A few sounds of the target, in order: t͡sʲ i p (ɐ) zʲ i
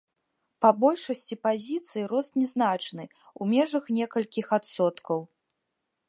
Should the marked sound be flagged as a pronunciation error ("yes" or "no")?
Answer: yes